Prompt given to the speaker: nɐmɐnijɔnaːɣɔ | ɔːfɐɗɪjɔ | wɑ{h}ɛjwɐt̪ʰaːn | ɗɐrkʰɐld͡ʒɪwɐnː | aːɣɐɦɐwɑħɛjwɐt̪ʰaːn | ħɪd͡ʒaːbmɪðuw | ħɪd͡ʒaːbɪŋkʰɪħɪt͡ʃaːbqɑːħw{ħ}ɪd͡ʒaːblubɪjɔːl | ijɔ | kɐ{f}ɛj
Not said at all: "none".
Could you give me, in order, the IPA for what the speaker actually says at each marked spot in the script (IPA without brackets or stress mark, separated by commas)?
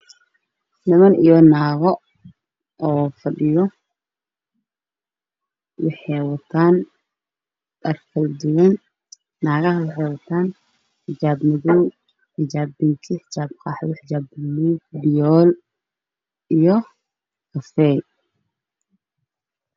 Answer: ħ, ħ, f